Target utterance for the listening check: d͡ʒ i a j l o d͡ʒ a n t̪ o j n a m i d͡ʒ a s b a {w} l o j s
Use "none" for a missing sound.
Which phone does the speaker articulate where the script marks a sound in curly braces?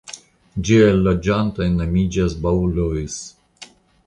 u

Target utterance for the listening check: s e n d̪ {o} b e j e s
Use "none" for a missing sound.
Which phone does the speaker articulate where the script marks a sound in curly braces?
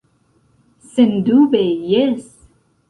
u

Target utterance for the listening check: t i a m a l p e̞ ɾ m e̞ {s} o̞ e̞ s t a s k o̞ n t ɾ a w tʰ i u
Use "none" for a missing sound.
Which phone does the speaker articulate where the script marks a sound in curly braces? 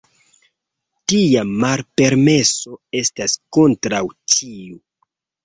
s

